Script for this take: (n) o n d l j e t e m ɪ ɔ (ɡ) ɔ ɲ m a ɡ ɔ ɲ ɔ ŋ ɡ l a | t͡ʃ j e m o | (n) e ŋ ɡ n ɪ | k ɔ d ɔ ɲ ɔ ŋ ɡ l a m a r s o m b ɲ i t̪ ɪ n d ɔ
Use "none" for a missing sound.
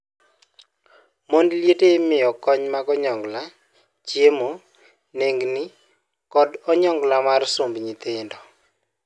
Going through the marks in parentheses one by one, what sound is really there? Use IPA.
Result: m, k, n

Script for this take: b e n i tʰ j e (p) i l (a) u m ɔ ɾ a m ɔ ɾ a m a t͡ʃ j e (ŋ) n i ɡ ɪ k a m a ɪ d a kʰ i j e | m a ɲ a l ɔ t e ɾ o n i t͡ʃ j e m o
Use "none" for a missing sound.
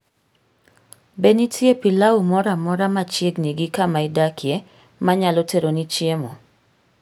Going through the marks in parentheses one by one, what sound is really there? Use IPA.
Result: p, a, ɡ

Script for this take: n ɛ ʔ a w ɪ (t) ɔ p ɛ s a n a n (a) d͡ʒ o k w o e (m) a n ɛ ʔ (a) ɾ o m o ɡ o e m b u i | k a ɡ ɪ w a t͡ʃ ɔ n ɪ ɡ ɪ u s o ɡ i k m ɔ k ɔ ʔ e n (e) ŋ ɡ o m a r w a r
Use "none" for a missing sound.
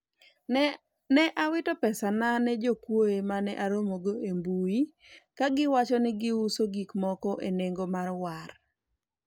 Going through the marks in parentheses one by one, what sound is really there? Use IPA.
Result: t, ɛ, m, a, e

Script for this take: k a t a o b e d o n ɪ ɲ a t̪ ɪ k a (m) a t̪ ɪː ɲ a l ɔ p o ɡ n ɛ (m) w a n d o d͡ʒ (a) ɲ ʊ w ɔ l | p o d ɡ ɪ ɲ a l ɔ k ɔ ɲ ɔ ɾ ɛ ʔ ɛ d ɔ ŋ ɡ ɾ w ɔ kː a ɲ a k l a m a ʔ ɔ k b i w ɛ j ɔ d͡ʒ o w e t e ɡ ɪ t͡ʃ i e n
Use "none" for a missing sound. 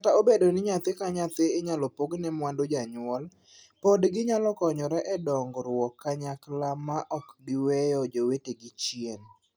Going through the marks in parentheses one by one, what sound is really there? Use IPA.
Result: ɲ, m, a

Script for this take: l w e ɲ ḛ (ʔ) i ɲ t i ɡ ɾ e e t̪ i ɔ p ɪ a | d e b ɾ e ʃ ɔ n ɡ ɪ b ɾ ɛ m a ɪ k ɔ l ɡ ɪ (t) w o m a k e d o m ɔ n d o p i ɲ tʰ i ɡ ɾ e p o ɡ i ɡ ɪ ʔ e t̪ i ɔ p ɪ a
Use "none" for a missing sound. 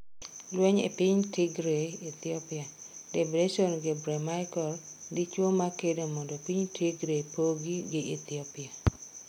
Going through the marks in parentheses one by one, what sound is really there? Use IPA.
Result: p, t͡ʃ

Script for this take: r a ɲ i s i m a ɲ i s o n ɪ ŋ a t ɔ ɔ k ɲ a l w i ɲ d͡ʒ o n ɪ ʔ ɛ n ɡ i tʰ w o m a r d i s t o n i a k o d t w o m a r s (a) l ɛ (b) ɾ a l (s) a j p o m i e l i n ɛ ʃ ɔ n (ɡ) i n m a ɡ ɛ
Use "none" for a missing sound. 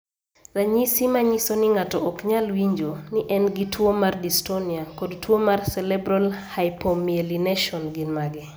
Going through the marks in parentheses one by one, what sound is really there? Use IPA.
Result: ɛ, b, h, ɡ

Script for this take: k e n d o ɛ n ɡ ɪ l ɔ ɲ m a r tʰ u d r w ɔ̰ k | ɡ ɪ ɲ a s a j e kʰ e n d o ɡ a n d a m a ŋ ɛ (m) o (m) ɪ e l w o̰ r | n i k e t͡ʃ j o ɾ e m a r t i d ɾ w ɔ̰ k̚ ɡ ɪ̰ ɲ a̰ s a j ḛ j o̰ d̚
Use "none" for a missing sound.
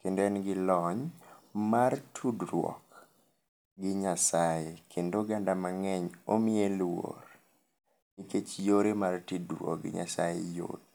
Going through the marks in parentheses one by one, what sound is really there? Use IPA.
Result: ɲ, m

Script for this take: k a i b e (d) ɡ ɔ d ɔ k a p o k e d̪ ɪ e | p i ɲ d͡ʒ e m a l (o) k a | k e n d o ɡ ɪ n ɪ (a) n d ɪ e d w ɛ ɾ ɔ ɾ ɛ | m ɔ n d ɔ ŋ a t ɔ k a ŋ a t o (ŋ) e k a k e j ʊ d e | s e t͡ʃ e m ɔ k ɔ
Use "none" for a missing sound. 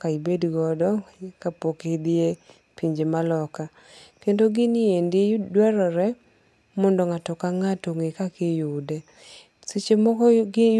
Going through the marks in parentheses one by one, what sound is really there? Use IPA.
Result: d, ɔ, e, ŋ

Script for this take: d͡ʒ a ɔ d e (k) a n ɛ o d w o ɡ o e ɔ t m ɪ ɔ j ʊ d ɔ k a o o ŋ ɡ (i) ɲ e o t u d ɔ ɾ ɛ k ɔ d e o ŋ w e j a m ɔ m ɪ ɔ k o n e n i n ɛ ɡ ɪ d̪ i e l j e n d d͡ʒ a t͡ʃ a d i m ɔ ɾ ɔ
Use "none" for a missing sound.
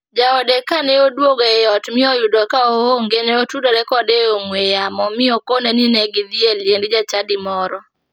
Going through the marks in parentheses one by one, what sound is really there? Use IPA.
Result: k, e

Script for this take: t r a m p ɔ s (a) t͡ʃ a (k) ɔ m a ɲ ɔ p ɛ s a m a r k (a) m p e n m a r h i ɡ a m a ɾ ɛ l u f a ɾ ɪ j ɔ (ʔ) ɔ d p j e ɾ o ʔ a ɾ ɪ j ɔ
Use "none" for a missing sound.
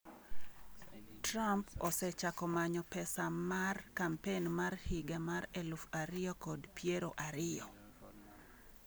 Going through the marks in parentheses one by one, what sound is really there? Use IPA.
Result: ɛ, k, a, k

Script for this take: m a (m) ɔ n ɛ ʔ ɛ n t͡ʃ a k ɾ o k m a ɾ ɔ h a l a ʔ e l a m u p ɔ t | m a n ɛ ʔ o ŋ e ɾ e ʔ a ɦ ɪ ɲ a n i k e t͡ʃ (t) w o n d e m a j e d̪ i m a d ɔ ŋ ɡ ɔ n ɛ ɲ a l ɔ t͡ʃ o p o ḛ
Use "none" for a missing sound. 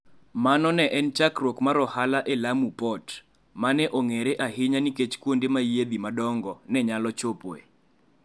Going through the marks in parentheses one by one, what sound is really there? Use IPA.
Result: n, k

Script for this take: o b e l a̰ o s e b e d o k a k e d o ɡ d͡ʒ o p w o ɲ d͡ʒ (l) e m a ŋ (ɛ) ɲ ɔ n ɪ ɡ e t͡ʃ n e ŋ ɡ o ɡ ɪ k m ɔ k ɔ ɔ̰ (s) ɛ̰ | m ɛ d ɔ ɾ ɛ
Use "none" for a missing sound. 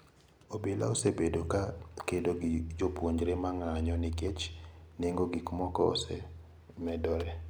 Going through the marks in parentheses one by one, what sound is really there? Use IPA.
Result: ɾ, a, s

